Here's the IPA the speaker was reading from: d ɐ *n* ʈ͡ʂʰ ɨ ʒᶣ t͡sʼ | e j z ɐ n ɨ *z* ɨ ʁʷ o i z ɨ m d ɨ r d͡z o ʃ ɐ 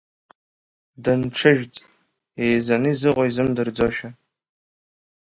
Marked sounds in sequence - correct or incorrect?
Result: correct, correct

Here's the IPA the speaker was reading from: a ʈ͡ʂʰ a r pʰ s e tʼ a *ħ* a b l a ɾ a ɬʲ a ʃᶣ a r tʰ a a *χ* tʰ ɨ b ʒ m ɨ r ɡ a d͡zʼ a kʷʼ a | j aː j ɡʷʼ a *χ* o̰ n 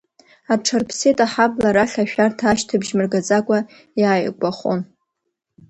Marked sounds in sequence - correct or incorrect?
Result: correct, incorrect: ʃ, correct

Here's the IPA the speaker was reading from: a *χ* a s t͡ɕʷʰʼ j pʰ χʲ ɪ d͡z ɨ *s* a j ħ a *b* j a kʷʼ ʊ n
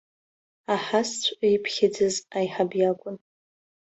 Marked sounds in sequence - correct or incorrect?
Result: incorrect: ħ, incorrect: z, correct

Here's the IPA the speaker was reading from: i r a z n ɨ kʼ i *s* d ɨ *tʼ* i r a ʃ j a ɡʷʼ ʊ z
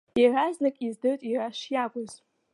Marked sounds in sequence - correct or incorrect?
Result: incorrect: z, correct

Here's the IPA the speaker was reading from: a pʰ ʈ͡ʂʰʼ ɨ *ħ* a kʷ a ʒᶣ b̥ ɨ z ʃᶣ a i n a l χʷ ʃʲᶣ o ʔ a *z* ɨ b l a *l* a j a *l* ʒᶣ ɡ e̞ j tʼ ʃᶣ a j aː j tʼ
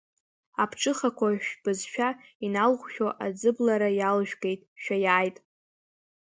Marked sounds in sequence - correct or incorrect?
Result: incorrect: χ, incorrect: d͡z, incorrect: ɾ, correct

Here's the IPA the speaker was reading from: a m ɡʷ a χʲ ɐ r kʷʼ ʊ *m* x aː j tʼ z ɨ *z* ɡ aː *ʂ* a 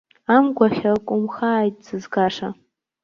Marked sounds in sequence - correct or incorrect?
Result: correct, correct, correct

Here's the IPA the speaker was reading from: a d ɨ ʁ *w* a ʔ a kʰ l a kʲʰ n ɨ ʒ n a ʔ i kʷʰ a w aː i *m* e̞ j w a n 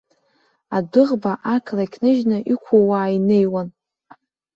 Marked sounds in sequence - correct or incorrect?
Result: incorrect: b, incorrect: n

